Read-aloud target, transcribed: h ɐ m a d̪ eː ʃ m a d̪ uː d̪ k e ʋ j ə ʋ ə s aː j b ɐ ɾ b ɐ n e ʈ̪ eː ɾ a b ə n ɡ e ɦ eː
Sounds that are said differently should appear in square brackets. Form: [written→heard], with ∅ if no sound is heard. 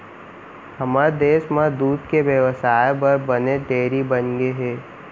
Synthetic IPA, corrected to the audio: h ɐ m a d̪ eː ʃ m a d̪ uː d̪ k e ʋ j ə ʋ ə s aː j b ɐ ɾ b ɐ n e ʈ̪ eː ɾ [a→i] b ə n ɡ e ɦ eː